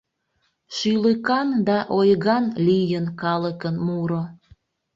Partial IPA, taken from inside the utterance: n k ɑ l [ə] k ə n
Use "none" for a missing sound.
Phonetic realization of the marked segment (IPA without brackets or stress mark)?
ə